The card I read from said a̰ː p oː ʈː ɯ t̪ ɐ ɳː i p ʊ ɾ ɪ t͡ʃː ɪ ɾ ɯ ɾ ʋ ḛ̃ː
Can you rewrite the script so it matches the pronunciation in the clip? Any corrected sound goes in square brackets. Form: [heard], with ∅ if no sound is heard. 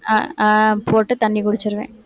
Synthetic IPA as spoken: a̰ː p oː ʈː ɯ t̪ ɐ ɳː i [k] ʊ [ɽ] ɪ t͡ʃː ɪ ɾ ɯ [∅] ʋ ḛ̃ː